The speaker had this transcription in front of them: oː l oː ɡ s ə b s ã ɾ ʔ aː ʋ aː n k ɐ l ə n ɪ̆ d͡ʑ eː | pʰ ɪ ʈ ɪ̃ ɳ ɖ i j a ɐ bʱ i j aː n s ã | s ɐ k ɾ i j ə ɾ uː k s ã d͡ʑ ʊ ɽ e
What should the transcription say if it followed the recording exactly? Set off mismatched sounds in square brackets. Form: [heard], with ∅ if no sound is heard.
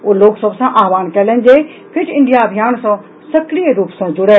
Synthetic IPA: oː l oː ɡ s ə b s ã [∅] ʔ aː ʋ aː n k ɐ l ə n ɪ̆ d͡ʑ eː | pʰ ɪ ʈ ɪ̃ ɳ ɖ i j a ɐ bʱ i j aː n s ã | s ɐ k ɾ i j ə ɾ uː [p] s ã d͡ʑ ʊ ɽ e